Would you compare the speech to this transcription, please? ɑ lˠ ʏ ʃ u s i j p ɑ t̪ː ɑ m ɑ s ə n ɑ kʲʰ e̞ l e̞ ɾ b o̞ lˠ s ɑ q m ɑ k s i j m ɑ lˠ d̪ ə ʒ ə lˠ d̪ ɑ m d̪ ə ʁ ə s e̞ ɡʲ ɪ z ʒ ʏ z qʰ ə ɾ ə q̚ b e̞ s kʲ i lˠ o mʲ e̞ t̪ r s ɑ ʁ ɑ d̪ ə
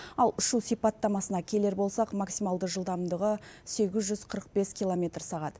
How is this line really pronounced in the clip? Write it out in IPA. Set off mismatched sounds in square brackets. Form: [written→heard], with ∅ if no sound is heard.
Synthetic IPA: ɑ lˠ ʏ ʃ u s i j p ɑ t̪ː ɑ m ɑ s ə n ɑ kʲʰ e̞ l e̞ ɾ b o̞ lˠ s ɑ q m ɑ k s i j m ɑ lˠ d̪ ə ʒ ə lˠ d̪ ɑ m d̪ ə ʁ ə s e̞ ɡʲ ɪ z ʒ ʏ z qʰ ə ɾ ə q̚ b e̞ s kʲ i lˠ o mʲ e̞ t̪ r s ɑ ʁ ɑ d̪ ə